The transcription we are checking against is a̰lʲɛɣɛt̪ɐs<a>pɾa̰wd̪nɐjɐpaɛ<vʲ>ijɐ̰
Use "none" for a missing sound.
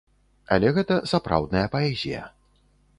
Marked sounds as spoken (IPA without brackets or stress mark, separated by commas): a, zʲ